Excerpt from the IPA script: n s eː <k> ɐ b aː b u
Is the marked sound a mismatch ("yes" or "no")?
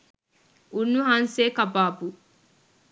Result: no